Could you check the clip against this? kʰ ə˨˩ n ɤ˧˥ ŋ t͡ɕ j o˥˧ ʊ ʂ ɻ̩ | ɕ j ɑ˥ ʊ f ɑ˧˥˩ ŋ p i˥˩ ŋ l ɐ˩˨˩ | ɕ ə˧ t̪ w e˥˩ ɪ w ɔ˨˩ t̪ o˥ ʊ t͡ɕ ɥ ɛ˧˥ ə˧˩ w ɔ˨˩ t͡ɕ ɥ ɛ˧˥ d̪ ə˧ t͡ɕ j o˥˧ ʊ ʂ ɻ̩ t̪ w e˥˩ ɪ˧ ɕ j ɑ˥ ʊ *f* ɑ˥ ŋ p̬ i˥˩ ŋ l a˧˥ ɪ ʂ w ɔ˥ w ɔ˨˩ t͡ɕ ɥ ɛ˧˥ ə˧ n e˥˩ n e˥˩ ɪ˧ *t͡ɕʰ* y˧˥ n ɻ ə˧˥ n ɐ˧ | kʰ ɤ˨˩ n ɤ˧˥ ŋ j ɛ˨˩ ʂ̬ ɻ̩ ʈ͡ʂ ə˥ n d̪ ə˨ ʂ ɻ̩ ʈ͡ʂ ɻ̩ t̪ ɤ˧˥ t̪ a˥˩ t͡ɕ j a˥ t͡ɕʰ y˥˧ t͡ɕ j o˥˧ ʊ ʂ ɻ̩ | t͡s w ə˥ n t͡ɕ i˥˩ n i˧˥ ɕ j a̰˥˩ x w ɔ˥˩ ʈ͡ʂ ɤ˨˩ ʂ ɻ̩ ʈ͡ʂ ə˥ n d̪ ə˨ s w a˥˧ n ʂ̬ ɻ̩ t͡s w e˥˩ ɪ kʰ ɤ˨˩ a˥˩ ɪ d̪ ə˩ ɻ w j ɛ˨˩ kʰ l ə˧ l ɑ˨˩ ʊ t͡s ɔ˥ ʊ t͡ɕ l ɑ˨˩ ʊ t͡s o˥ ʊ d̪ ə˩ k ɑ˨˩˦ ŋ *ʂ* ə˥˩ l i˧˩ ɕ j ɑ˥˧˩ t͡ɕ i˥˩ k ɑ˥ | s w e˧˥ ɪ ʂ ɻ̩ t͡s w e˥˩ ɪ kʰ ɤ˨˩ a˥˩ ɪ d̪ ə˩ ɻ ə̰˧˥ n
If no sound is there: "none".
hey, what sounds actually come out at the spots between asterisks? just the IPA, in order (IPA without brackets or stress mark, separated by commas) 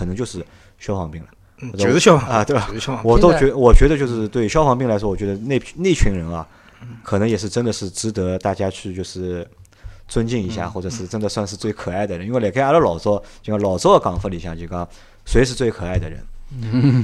f, t͡ɕʰ, f